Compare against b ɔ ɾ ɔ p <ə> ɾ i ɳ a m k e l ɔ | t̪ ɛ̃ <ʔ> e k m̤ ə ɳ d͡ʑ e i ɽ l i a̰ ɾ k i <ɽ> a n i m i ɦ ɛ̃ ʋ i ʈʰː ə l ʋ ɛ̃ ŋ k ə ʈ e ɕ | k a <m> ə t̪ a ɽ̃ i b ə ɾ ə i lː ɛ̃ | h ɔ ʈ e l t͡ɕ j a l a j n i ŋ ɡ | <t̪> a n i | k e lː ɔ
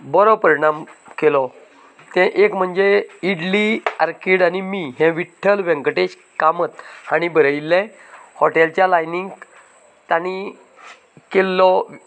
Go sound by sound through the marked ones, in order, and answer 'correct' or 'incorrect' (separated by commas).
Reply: correct, correct, correct, correct, correct